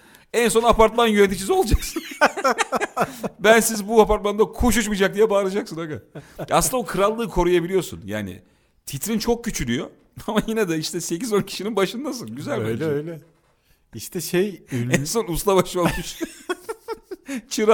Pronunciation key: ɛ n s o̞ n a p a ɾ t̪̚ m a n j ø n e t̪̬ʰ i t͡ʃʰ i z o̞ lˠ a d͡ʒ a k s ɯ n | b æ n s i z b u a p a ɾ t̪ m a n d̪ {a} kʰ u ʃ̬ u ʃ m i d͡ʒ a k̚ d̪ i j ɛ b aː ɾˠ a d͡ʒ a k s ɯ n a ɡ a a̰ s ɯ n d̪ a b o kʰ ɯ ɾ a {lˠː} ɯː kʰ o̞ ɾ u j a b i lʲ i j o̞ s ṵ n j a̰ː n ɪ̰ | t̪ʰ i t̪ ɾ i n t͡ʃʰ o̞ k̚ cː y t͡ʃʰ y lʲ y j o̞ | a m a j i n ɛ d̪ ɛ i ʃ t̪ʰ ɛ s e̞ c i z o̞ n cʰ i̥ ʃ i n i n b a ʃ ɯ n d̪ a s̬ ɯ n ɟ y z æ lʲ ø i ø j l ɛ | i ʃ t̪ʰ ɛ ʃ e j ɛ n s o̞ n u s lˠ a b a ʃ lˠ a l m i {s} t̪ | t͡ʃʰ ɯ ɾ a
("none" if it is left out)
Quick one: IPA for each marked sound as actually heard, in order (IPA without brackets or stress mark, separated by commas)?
a, lˠː, ʃ